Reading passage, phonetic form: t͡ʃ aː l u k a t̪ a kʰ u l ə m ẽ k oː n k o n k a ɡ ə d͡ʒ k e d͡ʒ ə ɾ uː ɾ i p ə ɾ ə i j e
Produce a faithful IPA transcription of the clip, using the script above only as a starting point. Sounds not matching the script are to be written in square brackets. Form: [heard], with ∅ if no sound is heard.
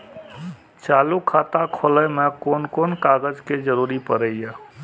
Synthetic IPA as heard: t͡ʃ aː l u [kʰ] a t̪ a kʰ [o] l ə m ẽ k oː n k o n k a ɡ ə d͡ʒ k e d͡ʒ ə ɾ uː ɾ i p ə ɾ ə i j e